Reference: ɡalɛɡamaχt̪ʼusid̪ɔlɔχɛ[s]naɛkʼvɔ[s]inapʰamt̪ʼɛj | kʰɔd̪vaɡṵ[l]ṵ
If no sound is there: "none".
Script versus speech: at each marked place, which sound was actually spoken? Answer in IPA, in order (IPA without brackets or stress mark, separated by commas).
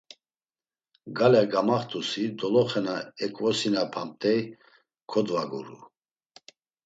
none, s, ɾ